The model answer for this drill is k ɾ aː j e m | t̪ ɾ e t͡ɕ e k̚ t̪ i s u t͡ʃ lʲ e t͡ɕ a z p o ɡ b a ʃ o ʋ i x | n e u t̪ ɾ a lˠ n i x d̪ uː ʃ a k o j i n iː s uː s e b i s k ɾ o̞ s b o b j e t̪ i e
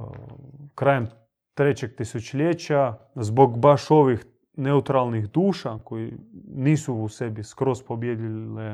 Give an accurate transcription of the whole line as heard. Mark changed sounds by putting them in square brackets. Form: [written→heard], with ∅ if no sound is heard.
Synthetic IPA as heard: k ɾ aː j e m | t̪ ɾ e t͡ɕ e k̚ t̪ i s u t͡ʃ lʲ e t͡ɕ a z [p→b] o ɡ b a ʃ o ʋ i x | n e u t̪ ɾ a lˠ n i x d̪ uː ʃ a k o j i n iː s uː s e b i s k ɾ o̞ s [b→p] o b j e [t̪→d̪] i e